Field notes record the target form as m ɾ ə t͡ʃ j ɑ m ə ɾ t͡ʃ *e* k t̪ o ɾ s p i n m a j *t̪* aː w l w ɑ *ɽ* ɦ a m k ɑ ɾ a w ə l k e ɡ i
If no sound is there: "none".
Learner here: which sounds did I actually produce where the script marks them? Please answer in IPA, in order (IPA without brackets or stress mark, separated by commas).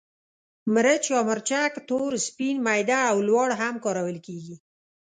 a, d̪, ɽ